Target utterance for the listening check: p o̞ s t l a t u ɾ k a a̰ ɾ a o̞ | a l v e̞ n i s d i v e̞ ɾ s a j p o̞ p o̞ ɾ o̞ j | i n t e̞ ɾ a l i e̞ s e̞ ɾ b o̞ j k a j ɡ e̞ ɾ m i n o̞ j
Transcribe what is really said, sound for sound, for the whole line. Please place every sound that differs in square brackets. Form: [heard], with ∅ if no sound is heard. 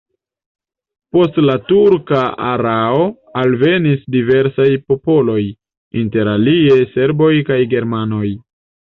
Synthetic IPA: p o̞ s t l a t u ɾ k a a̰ ɾ a o̞ | a l v e̞ n i s d i v e̞ ɾ s a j p o̞ p o̞ [l] o̞ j | i n t e̞ ɾ a l i e̞ s e̞ ɾ b o̞ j k a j ɡ e̞ ɾ m [a] n o̞ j